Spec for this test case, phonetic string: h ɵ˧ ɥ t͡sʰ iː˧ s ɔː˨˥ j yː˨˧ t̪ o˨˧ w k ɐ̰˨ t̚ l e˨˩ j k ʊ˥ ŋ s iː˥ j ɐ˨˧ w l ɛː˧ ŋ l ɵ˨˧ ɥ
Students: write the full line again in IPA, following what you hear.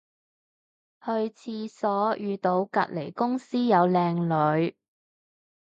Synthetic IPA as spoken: h ɵ˧ ɥ t͡sʰ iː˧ s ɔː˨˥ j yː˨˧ t̪ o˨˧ w k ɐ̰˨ t̚ l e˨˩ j k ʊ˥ ŋ s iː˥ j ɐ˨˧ w l ɛː˧ ŋ l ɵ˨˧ ɥ